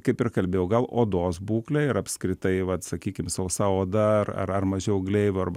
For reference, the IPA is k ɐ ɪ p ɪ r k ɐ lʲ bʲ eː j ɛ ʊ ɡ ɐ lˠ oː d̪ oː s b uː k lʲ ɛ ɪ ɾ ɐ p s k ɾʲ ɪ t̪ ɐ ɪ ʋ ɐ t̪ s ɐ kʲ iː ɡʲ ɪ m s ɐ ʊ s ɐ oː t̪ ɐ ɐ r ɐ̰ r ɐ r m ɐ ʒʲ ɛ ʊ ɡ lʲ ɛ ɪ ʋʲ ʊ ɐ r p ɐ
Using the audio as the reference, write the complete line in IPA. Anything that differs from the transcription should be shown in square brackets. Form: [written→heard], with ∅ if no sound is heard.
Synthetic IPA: k ɐ ɪ p ɪ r k ɐ lʲ bʲ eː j ɛ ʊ ɡ ɐ lˠ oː d̪ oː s b uː k lʲ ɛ ɪ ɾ ɐ p s k ɾʲ ɪ t̪ ɐ ɪ ʋ ɐ t̪ s ɐ kʲ iː [ɡʲ→kʲ] ɪ m s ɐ ʊ s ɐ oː [t̪→d̪] ɐ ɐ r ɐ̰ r ɐ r m ɐ ʒʲ ɛ ʊ ɡ lʲ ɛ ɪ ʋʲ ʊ ɐ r [p→b] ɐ